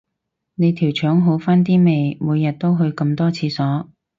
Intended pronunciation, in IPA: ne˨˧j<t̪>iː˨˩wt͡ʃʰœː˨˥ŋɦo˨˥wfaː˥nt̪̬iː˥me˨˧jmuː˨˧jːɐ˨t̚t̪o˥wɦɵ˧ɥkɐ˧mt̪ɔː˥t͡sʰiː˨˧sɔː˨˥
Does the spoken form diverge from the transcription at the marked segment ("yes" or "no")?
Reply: yes